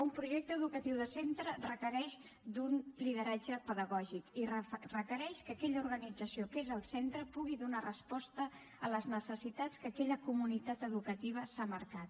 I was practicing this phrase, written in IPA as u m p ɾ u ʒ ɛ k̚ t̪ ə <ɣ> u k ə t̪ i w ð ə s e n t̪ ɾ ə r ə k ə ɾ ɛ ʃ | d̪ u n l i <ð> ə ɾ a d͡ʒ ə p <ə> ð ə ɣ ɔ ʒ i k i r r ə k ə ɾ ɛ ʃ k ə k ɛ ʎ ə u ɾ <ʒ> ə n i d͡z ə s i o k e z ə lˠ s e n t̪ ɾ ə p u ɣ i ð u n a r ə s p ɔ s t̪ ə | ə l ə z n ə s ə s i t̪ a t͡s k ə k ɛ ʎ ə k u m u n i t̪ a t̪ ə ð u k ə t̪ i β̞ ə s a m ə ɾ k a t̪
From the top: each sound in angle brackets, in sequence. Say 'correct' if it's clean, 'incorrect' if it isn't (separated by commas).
incorrect, correct, correct, incorrect